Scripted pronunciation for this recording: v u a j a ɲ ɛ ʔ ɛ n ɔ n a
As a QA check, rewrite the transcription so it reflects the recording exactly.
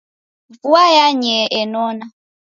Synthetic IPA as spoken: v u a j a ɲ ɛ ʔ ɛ n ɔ n a